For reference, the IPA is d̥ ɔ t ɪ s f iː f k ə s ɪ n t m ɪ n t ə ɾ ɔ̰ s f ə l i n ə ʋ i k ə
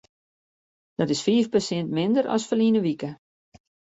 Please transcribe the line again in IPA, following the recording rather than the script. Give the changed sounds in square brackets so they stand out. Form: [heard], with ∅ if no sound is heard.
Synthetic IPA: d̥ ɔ t ɪ s f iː f [p] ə s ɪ n t m ɪ n [d] ə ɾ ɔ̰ s f ə l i n ə ʋ i k ə